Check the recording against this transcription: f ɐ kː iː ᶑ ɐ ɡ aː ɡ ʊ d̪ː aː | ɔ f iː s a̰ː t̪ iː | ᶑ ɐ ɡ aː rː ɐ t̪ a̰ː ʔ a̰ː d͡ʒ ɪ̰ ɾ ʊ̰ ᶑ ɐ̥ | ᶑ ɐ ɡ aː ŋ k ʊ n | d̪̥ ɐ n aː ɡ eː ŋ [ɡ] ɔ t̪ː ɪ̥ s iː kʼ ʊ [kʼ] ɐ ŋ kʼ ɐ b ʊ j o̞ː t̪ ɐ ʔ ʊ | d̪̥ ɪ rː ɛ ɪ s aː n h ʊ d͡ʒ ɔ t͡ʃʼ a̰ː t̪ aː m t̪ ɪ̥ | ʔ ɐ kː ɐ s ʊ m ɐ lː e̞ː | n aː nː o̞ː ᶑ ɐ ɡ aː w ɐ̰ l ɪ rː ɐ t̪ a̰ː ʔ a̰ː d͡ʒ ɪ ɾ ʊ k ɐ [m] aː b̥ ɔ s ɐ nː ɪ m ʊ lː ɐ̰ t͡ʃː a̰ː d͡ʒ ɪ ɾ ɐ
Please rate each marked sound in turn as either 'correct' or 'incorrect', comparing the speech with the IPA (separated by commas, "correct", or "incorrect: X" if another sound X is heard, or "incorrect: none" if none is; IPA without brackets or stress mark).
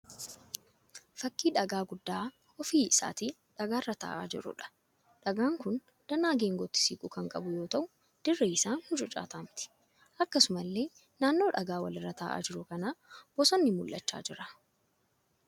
correct, incorrect: k, incorrect: n